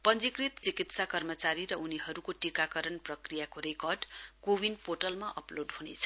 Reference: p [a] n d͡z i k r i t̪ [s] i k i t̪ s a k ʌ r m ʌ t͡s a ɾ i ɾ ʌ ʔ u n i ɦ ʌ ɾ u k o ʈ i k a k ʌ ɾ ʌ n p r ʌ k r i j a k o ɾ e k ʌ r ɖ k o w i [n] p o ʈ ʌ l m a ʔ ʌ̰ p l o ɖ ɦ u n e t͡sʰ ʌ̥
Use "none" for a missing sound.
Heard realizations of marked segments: ʌ, t͡s, n

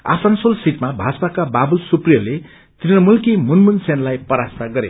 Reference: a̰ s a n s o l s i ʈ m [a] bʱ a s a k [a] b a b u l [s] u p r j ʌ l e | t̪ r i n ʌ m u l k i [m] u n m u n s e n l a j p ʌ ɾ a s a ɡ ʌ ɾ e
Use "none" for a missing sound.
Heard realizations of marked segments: a, a, s, m

